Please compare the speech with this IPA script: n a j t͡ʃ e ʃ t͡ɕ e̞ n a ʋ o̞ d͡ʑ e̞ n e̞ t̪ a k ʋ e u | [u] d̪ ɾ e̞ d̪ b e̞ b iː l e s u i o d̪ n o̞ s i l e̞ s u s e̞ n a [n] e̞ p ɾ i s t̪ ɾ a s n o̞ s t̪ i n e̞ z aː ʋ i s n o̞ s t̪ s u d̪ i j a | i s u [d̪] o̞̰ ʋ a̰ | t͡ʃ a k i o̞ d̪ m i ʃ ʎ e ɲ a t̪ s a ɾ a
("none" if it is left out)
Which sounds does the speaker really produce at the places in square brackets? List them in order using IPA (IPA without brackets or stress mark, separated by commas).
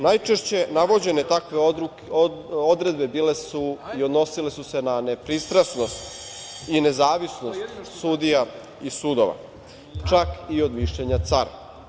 o, n, d̪